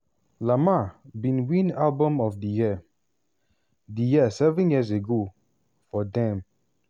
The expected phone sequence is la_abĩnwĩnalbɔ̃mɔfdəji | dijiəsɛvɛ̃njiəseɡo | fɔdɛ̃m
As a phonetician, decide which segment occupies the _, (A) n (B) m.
B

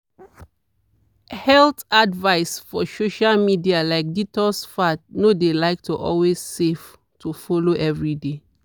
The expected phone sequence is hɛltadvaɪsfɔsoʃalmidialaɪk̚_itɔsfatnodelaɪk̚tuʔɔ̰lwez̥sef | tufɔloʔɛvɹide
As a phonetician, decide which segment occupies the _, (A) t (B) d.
B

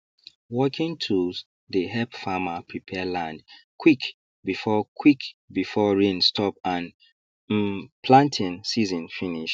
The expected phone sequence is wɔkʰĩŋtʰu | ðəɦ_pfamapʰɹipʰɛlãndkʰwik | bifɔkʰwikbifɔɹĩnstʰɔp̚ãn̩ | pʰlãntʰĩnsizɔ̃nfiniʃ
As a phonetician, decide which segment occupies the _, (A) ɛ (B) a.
A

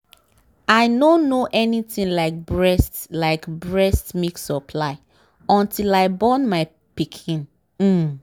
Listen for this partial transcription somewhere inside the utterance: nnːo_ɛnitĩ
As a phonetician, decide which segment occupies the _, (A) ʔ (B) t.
A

